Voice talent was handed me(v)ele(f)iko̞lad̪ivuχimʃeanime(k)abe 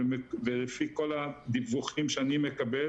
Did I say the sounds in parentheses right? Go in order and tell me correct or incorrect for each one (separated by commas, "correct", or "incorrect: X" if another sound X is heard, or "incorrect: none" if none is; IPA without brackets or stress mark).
correct, correct, correct